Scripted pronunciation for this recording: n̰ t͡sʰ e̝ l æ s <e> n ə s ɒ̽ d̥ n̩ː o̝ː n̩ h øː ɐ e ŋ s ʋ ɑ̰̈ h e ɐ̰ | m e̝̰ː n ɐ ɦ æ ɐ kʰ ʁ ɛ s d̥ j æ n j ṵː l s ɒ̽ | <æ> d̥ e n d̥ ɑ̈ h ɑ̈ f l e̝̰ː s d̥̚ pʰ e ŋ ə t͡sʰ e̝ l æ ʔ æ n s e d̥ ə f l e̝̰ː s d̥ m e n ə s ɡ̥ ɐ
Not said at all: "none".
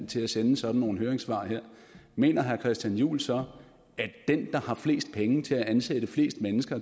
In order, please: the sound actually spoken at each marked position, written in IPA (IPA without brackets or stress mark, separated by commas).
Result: e, æ